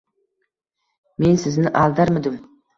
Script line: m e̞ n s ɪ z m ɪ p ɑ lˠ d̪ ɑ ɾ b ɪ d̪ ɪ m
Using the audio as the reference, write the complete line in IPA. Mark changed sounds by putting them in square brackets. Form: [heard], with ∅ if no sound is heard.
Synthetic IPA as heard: m e̞ n s ɪ z [n] ɪ [ʔ] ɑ lˠ d̪ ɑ ɾ [m] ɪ d̪ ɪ m